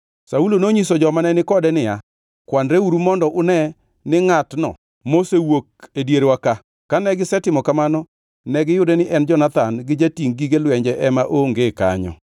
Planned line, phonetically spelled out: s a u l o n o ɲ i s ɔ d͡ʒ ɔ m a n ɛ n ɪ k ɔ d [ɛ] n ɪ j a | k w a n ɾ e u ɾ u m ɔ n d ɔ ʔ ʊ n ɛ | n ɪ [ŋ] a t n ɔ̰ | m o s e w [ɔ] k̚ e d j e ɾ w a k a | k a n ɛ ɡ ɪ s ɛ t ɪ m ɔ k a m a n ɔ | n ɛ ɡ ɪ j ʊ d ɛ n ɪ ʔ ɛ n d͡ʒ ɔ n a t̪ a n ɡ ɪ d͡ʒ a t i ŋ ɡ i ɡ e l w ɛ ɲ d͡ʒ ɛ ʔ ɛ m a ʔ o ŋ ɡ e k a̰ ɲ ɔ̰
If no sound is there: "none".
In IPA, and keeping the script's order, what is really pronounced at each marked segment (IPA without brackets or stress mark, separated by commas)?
ɛ, ŋ, o